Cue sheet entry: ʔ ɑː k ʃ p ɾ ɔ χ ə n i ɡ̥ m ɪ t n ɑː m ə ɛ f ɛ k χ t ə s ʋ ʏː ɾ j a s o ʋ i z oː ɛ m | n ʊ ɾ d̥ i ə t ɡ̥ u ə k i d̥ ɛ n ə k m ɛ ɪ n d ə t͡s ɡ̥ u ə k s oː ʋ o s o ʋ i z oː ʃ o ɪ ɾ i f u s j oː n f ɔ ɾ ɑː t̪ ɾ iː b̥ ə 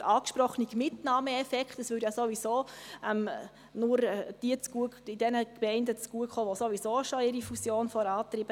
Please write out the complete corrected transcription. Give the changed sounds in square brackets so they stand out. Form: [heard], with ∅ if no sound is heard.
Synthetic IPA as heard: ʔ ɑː k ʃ p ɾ ɔ χ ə n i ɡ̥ m ɪ t n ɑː m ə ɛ f ɛ k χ t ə s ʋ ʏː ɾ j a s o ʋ i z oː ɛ m | n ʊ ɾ d̥ i ə [t͡s] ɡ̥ u ə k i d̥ ɛ n ə k m ɛ ɪ n d ə t͡s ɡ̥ u ə k [χ] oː ʋ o s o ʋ i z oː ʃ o ɪ ɾ i f u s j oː n f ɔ ɾ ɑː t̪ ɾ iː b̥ ə

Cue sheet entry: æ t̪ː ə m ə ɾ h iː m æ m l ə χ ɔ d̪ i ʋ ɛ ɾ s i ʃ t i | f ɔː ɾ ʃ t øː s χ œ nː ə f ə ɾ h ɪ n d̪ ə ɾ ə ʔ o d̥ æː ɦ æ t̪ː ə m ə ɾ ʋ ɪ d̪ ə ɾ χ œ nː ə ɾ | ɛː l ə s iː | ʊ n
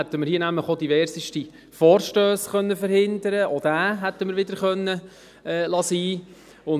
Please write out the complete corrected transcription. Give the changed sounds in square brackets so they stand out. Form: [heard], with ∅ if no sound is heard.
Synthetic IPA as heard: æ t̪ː ə m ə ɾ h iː [n] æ m l ə χ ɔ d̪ i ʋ ɛ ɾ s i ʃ t i | f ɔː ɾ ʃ t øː s χ œ nː ə f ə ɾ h ɪ n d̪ ə ɾ ə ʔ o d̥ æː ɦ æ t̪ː ə m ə ɾ ʋ ɪ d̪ ə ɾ χ œ nː ə [∅] | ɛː l [ɑ] s iː | ʊ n

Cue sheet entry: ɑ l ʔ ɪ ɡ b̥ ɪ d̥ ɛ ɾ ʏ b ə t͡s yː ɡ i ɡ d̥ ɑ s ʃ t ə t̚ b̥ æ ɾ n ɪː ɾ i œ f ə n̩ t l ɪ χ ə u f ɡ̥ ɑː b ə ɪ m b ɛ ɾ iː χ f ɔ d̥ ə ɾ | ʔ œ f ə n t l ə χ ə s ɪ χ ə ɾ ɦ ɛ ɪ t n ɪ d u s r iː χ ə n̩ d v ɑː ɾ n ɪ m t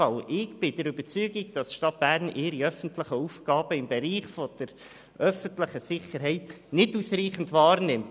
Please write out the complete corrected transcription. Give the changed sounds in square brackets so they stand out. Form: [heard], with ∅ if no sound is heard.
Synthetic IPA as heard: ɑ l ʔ ɪ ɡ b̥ ɪ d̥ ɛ ɾ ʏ b ə t͡s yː ɡ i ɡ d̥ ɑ s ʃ t [ɑ] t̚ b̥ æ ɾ n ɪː ɾ i œ f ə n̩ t l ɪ χ ə u f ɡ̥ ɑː b ə ɪ m b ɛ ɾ iː χ f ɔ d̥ ə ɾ | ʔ œ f ə n t l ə χ ə s ɪ χ ə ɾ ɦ ɛ ɪ t n ɪ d u s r iː χ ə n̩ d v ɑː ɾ n ɪ m t

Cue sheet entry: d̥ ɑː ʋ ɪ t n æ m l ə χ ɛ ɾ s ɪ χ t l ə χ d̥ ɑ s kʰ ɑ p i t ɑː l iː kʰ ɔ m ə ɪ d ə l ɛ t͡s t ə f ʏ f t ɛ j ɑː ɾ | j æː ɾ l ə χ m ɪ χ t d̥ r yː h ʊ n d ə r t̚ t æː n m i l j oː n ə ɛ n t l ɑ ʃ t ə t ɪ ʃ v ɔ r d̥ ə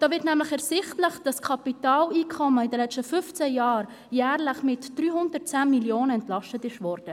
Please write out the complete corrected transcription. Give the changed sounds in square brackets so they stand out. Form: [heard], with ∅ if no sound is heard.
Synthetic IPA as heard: d̥ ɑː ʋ ɪ t n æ m l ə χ ɛ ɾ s ɪ χ t l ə χ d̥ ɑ s kʰ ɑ p i t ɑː l iː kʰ ɔ m ə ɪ d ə l ɛ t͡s t ə f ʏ f [t͡s] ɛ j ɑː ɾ | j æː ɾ l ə χ m ɪ [∅] t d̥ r yː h ʊ n d ə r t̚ [t͡s] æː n m i l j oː n ə ɛ n t l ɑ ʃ t ə t ɪ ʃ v ɔ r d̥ ə

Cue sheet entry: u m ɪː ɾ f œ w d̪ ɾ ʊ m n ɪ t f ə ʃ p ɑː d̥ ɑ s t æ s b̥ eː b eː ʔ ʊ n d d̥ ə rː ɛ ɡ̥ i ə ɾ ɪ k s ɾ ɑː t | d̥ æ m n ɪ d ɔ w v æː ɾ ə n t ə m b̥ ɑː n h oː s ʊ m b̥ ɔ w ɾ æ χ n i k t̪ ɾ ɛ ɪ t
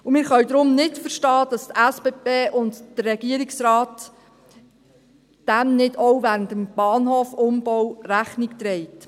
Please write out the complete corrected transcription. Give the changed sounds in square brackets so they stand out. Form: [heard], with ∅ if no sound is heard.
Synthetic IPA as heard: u m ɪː ɾ [χ] œ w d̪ ɾ ʊ m n ɪ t f ə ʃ [t] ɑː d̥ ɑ s t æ s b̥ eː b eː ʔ ʊ n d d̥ ə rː ɛ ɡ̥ i ə ɾ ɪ k s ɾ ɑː t | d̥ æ m n ɪ d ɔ w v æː ɾ ə n t ə m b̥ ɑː n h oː [f] ʊ m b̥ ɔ w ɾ æ χ n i k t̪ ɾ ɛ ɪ t

